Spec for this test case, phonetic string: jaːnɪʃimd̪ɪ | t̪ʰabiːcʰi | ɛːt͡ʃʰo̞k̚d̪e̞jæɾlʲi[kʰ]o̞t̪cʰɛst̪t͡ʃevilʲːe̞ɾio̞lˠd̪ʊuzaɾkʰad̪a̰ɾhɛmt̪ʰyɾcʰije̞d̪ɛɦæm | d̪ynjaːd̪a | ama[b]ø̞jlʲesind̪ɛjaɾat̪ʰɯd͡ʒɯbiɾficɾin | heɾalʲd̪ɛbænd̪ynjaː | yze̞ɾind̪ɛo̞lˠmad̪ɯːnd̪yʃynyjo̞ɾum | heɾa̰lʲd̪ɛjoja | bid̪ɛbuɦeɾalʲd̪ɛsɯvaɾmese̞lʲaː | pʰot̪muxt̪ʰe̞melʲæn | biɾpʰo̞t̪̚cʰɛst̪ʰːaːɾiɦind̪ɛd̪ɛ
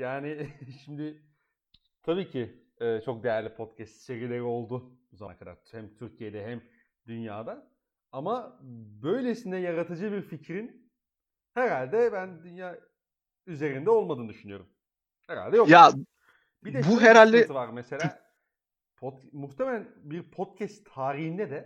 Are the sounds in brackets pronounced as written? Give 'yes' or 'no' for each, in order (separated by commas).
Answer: no, yes